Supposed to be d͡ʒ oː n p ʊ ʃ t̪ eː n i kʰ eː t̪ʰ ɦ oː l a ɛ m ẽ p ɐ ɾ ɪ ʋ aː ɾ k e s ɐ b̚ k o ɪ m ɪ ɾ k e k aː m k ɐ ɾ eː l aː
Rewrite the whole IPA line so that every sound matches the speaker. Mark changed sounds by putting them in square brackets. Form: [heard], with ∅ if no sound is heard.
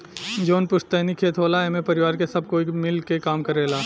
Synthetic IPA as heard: d͡ʒ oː n p ʊ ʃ t̪ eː n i kʰ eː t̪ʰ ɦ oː l a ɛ m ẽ p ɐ ɾ ɪ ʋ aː ɾ k e s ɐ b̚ k o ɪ m ɪ [l] k e k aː m k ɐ ɾ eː l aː